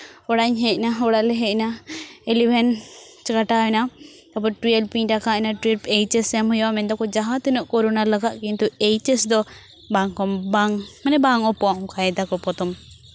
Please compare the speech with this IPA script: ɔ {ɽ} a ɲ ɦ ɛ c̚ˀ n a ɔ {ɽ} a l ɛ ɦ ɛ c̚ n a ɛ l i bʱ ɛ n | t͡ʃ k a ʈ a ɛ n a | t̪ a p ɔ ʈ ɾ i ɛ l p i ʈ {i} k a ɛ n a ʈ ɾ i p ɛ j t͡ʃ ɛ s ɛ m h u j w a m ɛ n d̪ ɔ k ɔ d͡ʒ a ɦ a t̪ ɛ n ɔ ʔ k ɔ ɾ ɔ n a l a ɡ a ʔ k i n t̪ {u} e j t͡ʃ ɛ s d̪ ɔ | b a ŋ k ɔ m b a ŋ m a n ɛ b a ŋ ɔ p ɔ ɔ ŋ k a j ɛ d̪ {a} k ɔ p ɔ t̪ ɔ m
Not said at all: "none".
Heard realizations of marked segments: ɽ, ɽ, a, u, a

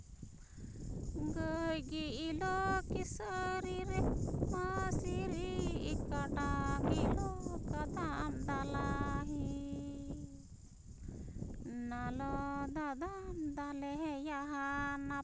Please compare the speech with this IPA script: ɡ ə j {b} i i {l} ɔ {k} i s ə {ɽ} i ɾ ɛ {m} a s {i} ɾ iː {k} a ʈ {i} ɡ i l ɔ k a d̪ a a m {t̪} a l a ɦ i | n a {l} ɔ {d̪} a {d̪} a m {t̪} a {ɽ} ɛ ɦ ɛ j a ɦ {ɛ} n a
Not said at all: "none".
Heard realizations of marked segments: ɡ, l, k, ɾ, m, i, k, a, d̪, l, d̪, d̪, d̪, l, a

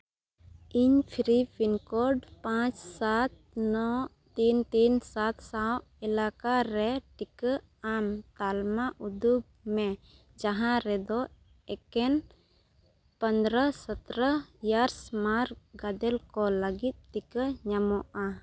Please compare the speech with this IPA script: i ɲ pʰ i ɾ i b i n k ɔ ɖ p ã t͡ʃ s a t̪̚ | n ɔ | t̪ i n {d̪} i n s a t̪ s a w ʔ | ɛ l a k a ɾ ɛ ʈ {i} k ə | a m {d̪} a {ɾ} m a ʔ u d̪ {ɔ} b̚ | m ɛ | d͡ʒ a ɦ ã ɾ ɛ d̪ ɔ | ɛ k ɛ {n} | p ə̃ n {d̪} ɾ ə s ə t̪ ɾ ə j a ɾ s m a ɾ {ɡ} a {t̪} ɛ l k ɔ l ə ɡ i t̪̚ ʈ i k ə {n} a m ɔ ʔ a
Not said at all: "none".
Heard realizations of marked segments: t̪, i, t̪, l, u, n, d̪, ɡ, d̪, ɲ

